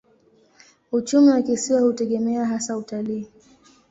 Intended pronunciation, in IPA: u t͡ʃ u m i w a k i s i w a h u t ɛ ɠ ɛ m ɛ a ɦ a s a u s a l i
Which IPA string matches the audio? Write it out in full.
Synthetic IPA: u t͡ʃ u m i w a k i s i w a h u t ɛ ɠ ɛ m ɛ a ɦ a s a u t a l iː